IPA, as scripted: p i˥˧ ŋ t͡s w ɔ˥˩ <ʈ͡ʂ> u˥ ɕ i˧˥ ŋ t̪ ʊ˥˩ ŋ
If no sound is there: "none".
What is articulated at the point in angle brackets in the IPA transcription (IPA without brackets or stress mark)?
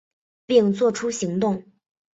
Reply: ʈ͡ʂʰ